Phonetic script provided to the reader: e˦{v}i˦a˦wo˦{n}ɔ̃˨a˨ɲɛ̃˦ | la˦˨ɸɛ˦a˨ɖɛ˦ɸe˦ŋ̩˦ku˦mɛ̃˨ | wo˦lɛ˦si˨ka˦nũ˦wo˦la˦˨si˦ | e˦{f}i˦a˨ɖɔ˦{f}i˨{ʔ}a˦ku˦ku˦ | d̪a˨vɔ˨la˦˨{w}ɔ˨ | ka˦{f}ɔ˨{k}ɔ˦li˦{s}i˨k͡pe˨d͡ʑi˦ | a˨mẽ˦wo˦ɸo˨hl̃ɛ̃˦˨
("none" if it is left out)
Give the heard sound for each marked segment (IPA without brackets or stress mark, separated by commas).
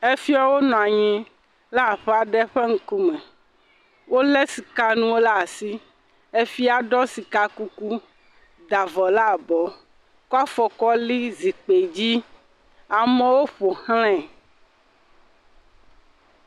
f, n, f, s, k, b, f, k, z